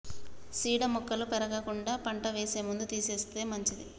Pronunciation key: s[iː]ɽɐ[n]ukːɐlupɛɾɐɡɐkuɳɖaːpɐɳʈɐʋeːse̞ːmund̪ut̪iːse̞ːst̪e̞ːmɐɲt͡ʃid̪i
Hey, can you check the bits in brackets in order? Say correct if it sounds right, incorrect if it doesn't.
correct, incorrect

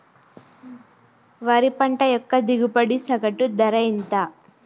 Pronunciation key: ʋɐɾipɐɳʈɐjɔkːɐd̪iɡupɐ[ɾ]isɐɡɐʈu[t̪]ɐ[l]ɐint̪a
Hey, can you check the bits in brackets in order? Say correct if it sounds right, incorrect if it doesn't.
incorrect, incorrect, incorrect

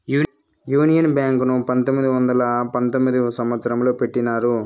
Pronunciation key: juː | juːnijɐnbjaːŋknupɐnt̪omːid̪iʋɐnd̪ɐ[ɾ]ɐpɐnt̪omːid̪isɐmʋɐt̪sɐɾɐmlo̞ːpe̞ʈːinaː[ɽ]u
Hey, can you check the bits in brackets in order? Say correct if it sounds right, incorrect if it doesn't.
incorrect, incorrect

